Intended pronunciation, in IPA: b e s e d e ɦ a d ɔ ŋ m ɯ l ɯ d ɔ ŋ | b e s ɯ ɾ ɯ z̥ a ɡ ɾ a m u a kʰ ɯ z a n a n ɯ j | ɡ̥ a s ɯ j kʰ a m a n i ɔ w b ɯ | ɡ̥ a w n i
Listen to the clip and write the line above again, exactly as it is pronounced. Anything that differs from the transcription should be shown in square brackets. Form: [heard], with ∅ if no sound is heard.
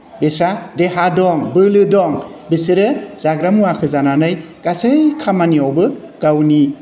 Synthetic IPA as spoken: b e s [a] d e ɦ a d ɔ ŋ [b] ɯ l ɯ d ɔ ŋ | b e s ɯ ɾ ɯ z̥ a ɡ ɾ a m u a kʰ ɯ z a n a n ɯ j | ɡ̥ a s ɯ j kʰ a m a n i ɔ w b ɯ | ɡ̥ a w n i